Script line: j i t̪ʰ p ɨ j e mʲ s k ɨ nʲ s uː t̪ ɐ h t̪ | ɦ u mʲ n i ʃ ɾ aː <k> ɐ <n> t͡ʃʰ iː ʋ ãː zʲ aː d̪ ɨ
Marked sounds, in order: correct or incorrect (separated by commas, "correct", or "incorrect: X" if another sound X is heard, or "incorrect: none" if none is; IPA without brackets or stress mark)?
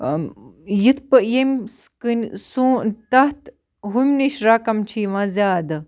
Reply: correct, incorrect: m